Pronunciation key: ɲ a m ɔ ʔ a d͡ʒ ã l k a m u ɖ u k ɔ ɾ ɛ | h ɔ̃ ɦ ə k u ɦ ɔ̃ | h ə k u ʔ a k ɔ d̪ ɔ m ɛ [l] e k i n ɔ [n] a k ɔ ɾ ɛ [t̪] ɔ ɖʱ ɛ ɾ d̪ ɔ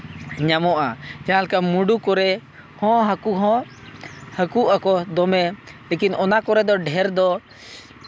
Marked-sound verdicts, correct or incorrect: correct, correct, incorrect

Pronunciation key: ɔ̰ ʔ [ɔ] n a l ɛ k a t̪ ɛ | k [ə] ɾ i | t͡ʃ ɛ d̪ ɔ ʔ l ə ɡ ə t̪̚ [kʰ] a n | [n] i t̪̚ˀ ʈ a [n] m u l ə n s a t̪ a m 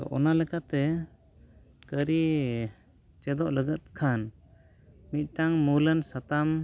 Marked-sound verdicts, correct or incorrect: correct, correct, correct, incorrect, incorrect

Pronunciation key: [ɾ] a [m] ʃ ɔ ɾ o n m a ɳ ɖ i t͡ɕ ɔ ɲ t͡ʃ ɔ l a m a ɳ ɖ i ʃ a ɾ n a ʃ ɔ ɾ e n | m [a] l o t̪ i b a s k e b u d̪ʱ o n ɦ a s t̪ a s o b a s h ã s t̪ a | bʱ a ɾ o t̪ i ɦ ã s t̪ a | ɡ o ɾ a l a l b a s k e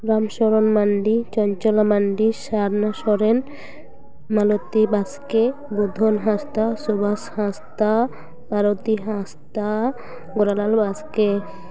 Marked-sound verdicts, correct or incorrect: correct, correct, correct

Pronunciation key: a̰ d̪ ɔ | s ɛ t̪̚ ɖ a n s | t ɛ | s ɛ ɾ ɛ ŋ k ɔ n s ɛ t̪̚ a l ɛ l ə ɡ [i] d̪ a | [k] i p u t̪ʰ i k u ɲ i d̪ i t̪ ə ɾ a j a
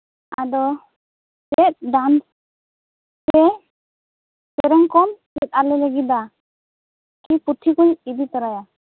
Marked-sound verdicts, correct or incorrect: correct, correct

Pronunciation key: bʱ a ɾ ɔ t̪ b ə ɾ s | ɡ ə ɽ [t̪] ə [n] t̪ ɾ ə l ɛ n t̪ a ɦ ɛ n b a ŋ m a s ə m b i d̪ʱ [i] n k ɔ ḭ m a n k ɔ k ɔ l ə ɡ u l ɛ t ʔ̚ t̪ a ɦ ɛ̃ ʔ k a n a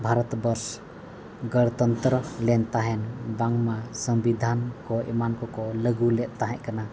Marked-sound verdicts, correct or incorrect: correct, correct, incorrect

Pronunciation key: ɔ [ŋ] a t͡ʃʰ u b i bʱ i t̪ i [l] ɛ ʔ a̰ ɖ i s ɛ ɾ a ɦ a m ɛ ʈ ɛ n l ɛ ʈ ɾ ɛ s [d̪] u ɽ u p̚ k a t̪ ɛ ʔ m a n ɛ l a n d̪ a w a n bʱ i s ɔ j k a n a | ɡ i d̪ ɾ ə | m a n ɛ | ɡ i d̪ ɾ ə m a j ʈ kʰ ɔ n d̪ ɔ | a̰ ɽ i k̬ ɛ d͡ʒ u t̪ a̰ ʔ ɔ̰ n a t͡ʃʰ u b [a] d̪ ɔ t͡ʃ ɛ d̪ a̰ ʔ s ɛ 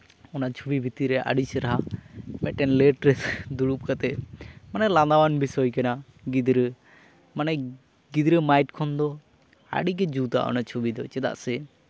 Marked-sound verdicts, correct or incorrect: incorrect, incorrect, correct, incorrect

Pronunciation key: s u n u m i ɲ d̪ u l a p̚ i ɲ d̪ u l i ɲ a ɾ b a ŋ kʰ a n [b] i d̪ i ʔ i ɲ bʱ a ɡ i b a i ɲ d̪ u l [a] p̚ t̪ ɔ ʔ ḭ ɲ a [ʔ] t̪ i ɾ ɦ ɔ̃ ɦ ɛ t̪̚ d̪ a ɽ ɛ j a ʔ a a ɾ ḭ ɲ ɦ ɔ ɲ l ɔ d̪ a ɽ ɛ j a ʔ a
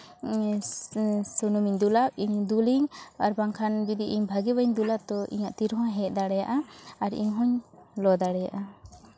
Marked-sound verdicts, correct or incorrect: correct, correct, correct

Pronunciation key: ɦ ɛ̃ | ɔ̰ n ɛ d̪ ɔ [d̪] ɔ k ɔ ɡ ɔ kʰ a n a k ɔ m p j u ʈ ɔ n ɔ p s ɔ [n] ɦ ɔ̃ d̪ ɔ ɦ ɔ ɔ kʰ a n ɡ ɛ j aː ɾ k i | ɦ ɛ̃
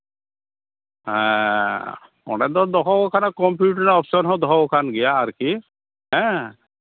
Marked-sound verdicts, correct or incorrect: correct, correct

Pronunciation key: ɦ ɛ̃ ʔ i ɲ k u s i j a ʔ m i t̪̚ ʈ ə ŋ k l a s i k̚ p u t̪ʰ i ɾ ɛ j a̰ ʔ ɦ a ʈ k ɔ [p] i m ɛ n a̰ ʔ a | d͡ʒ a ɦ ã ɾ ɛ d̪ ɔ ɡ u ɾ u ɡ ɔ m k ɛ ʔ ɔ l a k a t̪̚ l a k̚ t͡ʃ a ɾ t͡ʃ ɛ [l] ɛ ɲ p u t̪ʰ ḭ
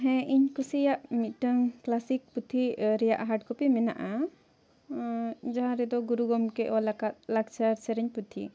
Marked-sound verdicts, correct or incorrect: correct, incorrect

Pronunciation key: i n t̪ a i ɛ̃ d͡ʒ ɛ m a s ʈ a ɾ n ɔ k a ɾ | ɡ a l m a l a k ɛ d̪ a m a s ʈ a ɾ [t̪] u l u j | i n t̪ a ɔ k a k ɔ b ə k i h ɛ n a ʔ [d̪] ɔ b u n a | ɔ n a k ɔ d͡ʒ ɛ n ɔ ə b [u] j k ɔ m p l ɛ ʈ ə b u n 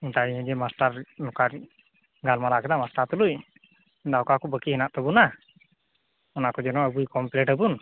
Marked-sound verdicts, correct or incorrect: correct, incorrect, correct

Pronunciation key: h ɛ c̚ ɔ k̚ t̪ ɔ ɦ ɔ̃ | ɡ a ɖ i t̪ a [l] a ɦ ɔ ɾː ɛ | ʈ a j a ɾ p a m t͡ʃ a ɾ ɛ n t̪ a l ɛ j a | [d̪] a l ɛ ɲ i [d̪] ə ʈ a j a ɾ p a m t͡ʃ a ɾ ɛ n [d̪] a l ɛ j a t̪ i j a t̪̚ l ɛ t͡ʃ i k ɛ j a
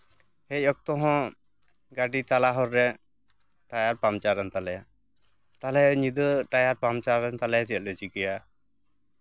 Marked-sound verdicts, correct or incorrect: correct, incorrect, correct, incorrect

